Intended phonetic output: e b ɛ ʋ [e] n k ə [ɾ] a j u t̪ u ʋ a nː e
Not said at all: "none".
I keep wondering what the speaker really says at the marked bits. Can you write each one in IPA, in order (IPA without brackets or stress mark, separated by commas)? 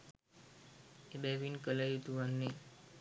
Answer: i, l